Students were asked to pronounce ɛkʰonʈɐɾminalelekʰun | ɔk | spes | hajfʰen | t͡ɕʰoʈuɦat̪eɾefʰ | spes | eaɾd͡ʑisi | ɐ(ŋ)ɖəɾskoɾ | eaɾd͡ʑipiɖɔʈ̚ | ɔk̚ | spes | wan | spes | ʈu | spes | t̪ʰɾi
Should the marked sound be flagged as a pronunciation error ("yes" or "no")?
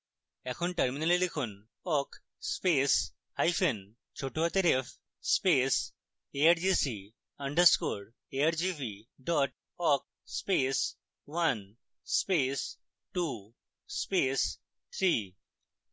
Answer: yes